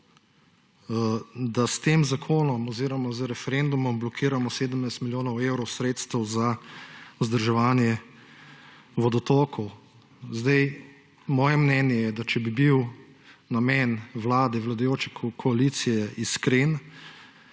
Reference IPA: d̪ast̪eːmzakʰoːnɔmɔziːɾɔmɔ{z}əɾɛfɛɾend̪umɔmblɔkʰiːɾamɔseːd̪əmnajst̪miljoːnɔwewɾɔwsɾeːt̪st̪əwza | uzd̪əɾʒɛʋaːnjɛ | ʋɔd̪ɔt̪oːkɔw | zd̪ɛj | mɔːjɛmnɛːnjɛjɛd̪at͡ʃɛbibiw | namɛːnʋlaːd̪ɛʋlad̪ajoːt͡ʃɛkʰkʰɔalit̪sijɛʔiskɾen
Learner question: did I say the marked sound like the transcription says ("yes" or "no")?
yes